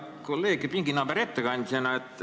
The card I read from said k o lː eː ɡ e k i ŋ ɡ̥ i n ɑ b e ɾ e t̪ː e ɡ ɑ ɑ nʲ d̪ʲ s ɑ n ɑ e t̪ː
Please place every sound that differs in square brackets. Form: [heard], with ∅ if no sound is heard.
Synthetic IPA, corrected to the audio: k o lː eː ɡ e [p] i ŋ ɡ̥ i n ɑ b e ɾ e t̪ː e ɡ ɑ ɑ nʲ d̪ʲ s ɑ n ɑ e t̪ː